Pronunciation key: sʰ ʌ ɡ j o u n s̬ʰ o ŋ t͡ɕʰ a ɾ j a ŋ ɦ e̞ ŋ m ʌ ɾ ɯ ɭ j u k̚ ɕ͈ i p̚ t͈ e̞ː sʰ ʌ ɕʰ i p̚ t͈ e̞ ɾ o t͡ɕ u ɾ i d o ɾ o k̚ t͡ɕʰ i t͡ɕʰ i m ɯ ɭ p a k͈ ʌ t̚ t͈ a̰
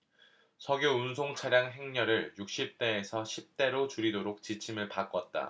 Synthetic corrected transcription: sʰ ʌ ɡ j o u n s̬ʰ o ŋ t͡ɕʰ a ɾ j a ŋ ɦ e̞ ŋ ɲ ʌ ɾ ɯ ɭ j u k̚ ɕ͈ i p̚ t͈ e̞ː sʰ ʌ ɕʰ i p̚ t͈ e̞ ɾ o t͡ɕ u ɾ i d o ɾ o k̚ t͡ɕ i t͡ɕʰ i m ɯ ɭ p a k͈ ʌ t̚ t͈ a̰

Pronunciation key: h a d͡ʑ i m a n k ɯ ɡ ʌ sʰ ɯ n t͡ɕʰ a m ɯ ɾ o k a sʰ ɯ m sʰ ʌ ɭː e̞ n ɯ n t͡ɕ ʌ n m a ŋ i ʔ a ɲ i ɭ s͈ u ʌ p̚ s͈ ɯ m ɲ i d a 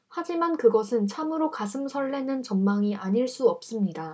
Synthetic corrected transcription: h a d͡ʑ i m a n k ɯ ɡ ʌ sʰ ɯ n t͡ɕʰ a m ɯ ɾ o k a sʰ ɯ m sʰ ʌ ɭː e̞ n ɯ n t͡ɕ ʌ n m a ŋ i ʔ a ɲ i ɭ s͈ u ʌ p̚ s͈ ɯ m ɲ i d a

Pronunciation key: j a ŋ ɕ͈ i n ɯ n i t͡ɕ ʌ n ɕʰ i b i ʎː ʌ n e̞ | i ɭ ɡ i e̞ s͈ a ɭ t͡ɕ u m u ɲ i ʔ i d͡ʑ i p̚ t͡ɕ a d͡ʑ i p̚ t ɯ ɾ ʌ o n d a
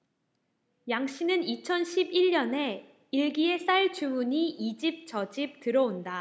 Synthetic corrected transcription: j a ŋ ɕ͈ i n ɯ n i t͡ɕʰ ʌ n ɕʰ i b i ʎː ʌ n e̞ | i ɭ ɡ i e̞ s͈ a ɭ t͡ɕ u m u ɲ i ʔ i d͡ʑ i p̚ t͡ɕ ʌ d͡ʑ i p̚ t ɯ ɾ ʌ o n d a

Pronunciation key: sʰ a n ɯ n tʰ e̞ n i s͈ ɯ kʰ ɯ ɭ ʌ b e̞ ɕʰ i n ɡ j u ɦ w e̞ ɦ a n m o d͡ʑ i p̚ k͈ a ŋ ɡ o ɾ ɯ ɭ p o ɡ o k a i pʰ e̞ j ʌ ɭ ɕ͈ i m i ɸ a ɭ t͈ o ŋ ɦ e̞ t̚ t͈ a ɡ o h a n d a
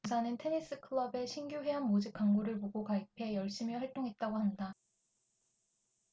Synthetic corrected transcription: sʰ a n ɯ n tʰ e̞ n i s͈ ɯ kʰ ɯ ɭ ʌ b e̞ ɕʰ i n ɡ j u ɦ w e̞ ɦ a n m o d͡ʑ i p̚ k͈ a ŋ ɡ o ɾ ɯ ɭ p o ɡ o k a i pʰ e̞ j ʌ ɭ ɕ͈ i m i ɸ a ɭ t͈ o ŋ ɦ e̞ t̚ t͈ a ɡ o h a n d a

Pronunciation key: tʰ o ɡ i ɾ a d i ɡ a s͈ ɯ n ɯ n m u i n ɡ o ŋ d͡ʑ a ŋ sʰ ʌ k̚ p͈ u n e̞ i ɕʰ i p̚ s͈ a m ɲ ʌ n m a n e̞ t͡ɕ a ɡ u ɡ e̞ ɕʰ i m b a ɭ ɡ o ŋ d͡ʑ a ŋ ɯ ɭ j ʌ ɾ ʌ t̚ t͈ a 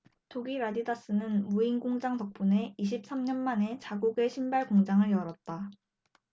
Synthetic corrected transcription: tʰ o ɡ i ɾ a d i d a s͈ ɯ n ɯ n m u i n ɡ o ŋ d͡ʑ a ŋ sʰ ʌ k̚ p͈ u n e̞ i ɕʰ i p̚ s͈ a m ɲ ʌ n m a n e̞ t͡ɕ a ɡ u ɡ e̞ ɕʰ i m b a ɭ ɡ o ŋ d͡ʑ a ŋ ɯ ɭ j ʌ ɾ ʌ t̚ t͈ a

